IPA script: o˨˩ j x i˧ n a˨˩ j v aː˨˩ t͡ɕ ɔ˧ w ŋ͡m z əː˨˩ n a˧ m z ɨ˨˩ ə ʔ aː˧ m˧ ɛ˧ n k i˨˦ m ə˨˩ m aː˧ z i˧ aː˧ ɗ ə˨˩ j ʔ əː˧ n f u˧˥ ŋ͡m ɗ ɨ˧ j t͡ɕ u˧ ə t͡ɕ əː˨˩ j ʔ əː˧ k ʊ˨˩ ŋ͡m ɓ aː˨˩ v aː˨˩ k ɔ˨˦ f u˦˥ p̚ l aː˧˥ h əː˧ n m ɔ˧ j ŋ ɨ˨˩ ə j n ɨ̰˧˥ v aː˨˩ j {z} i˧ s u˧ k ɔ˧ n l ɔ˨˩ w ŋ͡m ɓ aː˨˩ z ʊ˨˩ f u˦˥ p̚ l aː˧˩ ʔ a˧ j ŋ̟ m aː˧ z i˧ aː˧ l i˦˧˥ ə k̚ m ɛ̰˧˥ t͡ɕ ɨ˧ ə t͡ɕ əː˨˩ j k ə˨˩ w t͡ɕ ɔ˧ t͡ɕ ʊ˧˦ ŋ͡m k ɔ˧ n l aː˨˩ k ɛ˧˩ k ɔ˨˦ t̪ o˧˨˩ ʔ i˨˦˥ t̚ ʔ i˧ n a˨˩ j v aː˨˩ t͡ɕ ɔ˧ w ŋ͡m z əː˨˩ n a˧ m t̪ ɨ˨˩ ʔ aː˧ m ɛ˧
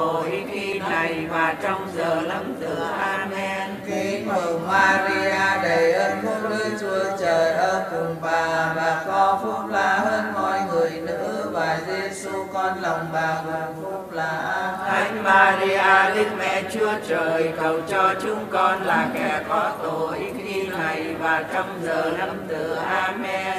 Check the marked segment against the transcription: correct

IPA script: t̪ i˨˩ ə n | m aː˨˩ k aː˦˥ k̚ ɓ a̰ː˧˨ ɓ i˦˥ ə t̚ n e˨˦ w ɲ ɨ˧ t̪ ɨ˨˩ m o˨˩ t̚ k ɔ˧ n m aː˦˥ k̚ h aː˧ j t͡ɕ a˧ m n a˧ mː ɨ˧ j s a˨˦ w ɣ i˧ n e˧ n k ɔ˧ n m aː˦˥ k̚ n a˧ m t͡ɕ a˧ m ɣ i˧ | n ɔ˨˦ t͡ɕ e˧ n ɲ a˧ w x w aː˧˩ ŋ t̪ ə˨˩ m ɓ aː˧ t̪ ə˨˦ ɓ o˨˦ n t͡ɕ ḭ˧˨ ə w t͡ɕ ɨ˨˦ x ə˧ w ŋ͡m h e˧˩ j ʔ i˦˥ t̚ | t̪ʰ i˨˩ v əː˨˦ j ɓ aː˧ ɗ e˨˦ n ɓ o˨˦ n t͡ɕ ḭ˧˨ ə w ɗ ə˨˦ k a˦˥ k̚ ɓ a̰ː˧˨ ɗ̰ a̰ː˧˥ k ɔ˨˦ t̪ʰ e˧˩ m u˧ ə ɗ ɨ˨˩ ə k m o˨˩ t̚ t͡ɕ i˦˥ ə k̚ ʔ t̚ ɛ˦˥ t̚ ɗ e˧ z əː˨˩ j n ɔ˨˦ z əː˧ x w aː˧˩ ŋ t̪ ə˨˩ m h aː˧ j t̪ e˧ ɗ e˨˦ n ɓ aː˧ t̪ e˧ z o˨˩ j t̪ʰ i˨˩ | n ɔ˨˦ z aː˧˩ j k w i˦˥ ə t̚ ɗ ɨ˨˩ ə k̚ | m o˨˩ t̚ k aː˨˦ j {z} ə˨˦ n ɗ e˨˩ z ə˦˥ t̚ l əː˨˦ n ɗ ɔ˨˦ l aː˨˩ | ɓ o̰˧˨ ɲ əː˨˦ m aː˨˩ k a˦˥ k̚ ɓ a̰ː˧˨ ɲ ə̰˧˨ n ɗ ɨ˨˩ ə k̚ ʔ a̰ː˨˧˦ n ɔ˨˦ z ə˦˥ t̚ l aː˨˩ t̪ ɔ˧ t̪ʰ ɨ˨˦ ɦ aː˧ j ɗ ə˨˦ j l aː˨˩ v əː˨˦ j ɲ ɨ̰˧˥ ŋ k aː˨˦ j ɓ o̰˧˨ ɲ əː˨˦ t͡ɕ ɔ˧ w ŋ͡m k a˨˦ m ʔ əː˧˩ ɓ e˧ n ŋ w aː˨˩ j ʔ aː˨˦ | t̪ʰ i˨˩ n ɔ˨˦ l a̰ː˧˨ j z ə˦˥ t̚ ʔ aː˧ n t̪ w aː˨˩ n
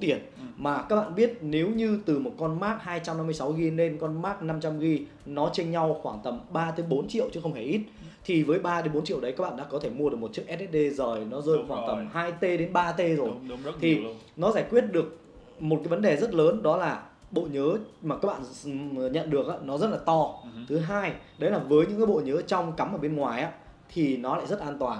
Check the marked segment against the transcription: incorrect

